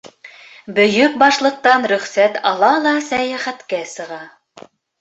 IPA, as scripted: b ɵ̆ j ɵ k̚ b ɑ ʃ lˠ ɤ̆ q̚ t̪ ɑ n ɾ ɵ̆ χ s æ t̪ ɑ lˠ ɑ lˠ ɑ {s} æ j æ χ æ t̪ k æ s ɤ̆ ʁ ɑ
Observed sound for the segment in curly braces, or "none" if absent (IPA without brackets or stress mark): s